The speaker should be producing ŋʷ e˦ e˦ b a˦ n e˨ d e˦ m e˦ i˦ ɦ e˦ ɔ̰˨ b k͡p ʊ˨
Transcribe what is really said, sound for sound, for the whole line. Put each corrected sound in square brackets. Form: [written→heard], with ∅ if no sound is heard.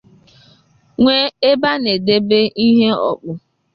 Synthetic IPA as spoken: ŋʷ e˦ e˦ b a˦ n e˨ d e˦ [m→b] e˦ i˦ ɦ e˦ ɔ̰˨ [b→∅] k͡p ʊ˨